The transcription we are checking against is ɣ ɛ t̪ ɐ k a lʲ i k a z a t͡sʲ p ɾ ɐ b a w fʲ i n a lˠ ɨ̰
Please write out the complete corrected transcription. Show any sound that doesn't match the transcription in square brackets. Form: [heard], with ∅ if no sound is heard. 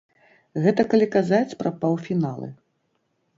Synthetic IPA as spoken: ɣ ɛ t̪ ɐ k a lʲ i k a z a t͡sʲ p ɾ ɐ [p] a w fʲ i n a lˠ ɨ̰